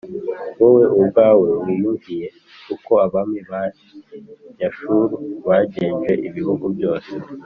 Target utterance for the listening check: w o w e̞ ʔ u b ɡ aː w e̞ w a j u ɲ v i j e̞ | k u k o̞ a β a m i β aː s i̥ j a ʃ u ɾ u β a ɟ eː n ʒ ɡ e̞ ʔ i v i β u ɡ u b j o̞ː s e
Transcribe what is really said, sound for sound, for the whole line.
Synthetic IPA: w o w e̞ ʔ u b ɡ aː w e̞ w i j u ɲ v i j e̞ | k u k o̞ a β a m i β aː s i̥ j a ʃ u ɾ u β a ɟ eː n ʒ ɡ e̞ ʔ i β i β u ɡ u b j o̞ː s e